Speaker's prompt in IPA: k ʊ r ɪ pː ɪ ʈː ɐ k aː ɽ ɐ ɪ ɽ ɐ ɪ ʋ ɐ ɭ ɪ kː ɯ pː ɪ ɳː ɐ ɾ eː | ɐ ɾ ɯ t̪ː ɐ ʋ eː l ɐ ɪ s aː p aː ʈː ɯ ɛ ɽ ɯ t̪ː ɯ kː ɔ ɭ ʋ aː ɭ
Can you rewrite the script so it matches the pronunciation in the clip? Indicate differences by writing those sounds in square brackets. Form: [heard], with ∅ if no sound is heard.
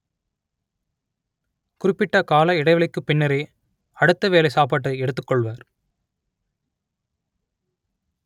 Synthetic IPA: k ʊ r ɪ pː ɪ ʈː ɐ k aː [l] ɐ ɪ ɽ ɐ ɪ ʋ ɐ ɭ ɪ kː ɯ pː ɪ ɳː ɐ ɾ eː | ɐ [ɽ] ɯ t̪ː ɐ ʋ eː l ɐ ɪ s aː p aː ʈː ɯ ɛ ɽ ɯ t̪ː ɯ kː ɔ ɭ ʋ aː [ɾ]